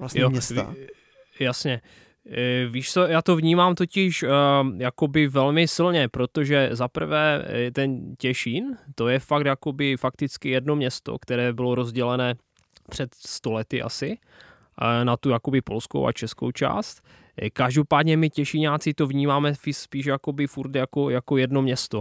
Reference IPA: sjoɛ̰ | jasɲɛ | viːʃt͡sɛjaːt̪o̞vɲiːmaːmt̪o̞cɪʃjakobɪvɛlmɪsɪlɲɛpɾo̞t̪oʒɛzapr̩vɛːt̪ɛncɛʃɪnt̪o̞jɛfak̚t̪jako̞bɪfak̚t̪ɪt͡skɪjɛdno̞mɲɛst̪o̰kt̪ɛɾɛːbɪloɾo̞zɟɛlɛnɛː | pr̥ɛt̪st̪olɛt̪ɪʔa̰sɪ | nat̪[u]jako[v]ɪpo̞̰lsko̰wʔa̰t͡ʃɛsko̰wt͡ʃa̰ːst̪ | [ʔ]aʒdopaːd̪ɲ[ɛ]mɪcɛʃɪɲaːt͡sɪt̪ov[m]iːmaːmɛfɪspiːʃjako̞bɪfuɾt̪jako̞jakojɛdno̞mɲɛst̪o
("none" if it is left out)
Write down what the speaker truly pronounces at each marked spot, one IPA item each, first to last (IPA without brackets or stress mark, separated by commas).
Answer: u, b, k, ɛ, ɲ